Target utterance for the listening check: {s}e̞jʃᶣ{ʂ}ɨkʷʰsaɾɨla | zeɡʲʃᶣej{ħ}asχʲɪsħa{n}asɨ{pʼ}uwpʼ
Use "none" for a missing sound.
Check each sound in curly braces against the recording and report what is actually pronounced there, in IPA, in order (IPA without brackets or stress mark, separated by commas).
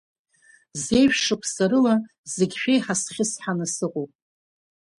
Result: z, ʂ, ħ, n, qʼ